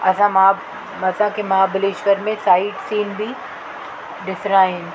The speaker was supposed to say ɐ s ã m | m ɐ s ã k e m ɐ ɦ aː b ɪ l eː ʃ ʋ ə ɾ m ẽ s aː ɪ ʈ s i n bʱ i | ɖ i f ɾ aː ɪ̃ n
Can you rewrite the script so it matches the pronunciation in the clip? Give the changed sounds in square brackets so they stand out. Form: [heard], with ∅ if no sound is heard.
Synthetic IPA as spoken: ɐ s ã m | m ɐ s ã k e m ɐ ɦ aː b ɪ l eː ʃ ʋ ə ɾ m ẽ s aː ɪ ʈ s [iː] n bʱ i | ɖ [ɪ] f ɾ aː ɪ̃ n